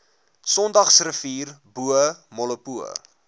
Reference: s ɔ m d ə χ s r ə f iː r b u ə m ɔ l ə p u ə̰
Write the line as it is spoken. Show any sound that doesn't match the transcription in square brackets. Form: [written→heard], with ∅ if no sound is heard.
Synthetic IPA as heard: s ɔ [m→n] d [ə→ɐ] χ s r ə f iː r b u ə m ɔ l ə p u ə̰